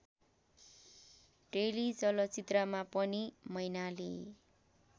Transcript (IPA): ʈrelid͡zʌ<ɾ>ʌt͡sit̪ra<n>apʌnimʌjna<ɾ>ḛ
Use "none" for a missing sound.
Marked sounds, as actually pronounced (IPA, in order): l, m, l

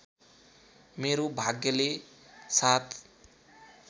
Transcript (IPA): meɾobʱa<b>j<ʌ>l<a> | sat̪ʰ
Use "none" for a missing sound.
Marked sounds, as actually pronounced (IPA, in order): ɡ, ʌ, e

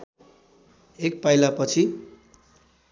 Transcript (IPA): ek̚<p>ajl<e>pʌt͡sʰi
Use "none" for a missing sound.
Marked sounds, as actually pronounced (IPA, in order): p, a

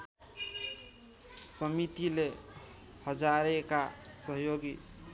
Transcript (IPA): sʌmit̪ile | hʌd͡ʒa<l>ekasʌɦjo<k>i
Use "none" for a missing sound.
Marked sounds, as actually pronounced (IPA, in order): ɾ, ɡ

